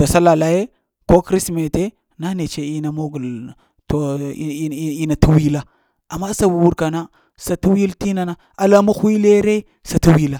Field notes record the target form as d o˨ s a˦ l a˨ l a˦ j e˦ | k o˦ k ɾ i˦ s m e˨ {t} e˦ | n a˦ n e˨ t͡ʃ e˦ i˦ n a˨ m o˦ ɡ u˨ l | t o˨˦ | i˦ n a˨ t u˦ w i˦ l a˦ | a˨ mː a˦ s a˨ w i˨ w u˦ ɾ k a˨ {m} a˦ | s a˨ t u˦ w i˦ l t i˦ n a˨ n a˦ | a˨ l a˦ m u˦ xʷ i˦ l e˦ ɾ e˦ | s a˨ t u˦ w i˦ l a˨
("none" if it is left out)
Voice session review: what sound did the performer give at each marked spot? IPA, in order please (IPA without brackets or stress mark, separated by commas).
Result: t, n